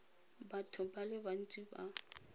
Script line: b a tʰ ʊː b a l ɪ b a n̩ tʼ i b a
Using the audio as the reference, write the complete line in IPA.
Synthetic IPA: b a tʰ ʊ b a l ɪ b a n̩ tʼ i b a